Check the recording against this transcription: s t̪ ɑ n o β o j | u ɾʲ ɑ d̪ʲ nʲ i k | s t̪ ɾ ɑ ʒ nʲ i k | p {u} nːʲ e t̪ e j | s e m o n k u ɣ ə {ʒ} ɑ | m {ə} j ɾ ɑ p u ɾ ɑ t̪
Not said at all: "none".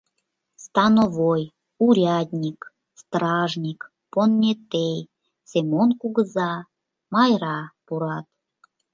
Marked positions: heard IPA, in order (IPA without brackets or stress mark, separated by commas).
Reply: o, z, ɑ